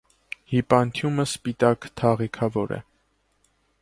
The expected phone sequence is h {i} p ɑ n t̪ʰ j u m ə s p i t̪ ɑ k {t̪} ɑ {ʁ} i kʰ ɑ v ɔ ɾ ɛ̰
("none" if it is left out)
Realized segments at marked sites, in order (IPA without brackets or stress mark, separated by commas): i, t̪ʰ, ʁ